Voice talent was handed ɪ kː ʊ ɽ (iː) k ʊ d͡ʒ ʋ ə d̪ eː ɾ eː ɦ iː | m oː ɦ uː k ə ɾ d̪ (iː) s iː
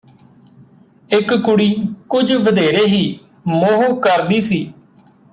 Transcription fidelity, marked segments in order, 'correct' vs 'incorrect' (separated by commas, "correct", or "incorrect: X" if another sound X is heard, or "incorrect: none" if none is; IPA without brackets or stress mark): correct, correct